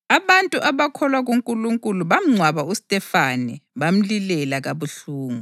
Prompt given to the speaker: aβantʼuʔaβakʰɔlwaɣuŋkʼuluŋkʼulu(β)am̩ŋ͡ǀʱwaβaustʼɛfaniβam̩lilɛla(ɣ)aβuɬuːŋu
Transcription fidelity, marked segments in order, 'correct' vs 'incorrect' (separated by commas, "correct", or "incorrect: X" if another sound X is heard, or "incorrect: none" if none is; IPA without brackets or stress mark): correct, correct